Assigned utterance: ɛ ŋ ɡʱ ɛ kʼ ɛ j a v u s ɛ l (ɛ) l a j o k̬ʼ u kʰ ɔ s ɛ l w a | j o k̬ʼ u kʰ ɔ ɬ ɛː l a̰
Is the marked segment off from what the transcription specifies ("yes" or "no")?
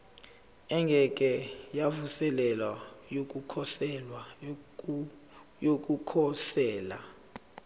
no